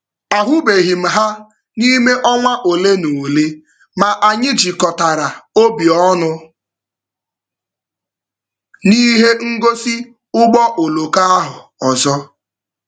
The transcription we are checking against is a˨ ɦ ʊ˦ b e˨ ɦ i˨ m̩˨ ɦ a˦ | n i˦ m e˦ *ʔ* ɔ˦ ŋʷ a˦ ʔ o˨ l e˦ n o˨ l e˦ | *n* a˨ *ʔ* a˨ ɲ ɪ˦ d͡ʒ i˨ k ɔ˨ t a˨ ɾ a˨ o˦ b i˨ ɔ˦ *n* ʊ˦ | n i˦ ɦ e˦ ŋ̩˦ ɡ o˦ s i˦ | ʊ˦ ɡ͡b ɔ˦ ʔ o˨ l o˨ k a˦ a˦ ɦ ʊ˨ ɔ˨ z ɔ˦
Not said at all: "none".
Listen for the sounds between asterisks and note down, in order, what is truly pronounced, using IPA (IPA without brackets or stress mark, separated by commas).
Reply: ʔ, m, ʔ, n